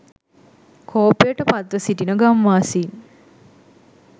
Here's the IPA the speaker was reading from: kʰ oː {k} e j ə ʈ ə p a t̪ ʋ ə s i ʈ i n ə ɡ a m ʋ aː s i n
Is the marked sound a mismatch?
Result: yes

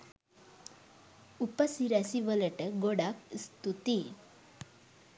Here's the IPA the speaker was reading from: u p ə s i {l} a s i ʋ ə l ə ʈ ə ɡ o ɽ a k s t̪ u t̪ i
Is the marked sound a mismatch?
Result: yes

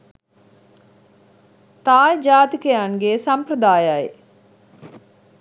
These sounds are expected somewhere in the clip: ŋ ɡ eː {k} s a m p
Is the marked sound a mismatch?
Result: yes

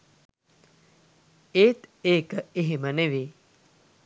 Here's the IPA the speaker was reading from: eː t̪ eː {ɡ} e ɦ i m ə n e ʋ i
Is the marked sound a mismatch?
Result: yes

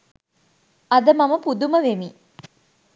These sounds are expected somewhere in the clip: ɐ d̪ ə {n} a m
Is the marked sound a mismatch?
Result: yes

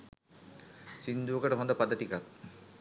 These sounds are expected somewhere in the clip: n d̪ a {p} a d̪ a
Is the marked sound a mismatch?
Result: no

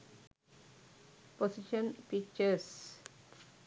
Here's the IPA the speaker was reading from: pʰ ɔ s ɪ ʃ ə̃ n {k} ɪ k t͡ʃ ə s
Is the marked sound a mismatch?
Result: yes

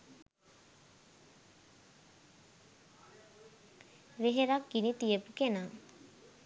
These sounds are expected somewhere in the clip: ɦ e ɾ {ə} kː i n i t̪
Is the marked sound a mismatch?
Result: yes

